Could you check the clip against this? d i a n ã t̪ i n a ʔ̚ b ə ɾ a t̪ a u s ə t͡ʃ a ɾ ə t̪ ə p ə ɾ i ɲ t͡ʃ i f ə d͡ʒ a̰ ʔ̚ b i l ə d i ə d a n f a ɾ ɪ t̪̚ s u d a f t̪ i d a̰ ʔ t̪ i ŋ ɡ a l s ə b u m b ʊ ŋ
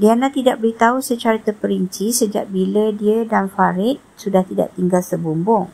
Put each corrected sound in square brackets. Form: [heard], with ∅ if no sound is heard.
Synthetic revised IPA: d i a n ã t̪ i [d] a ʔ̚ b ə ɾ [i] t̪ a u s ə t͡ʃ a ɾ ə t̪ ə p ə ɾ i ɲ t͡ʃ i [s] ə d͡ʒ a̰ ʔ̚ b i l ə d i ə d a n f a ɾ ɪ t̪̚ s u d a [h] t̪ i d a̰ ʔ t̪ i ŋ ɡ a l s ə b u m b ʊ ŋ

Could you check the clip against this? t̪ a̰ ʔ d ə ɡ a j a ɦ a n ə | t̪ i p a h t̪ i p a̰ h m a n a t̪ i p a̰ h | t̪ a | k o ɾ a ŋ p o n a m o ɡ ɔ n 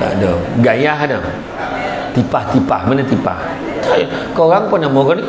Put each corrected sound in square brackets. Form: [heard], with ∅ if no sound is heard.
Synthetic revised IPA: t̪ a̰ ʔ d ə ɡ a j a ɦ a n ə | t̪ i p a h t̪ i p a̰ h m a n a t̪ i p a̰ h | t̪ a | k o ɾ a ŋ p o n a m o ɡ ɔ n

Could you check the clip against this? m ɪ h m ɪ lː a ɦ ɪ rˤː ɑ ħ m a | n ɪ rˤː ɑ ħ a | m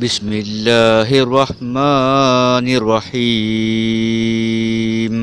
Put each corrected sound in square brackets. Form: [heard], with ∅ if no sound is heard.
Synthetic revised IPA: [b] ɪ [s] m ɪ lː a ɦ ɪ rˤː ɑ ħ m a | n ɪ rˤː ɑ ħ [i] | m

